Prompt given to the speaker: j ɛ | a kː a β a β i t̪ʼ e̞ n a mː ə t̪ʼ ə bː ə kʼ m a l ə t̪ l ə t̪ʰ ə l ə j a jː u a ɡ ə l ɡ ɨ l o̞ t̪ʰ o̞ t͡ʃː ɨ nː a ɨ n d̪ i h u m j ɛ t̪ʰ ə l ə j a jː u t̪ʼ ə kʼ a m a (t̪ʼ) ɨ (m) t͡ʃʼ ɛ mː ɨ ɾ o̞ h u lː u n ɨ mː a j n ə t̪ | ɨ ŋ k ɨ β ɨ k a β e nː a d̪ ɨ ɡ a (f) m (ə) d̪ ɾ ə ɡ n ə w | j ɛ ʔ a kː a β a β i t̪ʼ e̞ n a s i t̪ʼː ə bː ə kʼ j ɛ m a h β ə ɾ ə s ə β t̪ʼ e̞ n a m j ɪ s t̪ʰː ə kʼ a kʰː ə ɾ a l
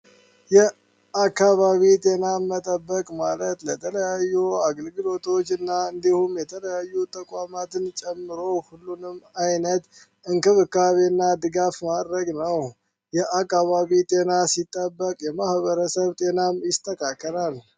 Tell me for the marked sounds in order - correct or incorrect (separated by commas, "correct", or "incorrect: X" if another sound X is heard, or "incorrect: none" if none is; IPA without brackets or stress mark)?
incorrect: t̪, incorrect: n, correct, incorrect: a